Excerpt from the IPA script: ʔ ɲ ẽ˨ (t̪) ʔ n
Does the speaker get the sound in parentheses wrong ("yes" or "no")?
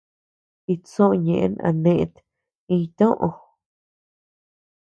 yes